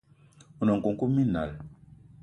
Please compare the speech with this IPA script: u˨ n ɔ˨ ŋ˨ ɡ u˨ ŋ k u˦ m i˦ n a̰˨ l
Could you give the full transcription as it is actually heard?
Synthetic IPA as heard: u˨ n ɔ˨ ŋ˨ k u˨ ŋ k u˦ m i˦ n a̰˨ l